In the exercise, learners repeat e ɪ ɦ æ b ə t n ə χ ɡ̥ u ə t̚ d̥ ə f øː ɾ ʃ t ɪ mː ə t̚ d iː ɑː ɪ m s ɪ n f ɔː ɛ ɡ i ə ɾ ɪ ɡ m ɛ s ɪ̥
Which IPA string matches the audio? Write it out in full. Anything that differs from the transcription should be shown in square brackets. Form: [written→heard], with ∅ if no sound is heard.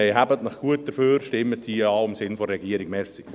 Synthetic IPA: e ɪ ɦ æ b ə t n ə χ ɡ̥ u ə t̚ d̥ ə f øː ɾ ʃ t ɪ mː ə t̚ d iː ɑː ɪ m s ɪ n f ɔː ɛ ɡ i ə ɾ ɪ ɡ m ɛ s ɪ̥